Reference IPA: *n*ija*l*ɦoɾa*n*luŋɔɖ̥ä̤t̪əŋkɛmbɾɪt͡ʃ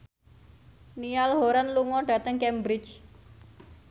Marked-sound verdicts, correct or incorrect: correct, correct, correct

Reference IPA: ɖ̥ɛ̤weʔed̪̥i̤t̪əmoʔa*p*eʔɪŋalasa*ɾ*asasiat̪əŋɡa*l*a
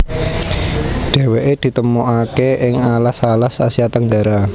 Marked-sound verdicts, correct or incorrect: incorrect, incorrect, incorrect

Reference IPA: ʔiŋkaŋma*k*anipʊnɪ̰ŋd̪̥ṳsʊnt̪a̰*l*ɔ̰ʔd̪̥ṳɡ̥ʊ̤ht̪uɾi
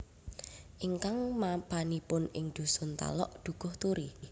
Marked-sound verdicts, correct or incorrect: incorrect, correct

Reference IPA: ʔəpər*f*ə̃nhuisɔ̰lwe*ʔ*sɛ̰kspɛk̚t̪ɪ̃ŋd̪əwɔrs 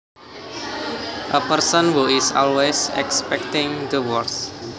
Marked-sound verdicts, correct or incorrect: incorrect, incorrect

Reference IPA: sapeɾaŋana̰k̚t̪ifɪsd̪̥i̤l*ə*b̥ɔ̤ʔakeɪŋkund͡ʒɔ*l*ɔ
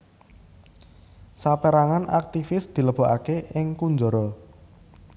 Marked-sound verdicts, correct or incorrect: correct, incorrect

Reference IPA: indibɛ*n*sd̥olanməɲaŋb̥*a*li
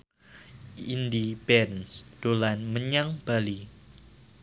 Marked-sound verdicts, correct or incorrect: correct, correct

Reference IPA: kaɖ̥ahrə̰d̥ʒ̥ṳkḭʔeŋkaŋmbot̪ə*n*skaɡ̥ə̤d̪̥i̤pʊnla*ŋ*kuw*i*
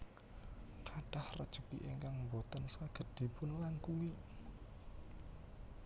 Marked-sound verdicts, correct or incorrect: correct, correct, correct

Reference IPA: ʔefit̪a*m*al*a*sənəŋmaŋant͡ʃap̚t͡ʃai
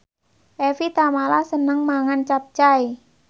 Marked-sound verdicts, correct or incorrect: correct, correct

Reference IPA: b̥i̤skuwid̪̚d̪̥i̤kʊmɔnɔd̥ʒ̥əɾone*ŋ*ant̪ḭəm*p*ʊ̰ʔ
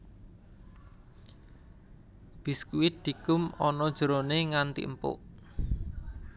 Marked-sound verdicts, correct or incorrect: correct, correct

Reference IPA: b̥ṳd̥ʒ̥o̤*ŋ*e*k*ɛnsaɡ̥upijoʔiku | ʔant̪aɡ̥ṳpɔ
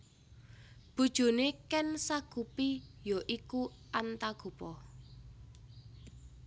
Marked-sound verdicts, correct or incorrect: incorrect, correct

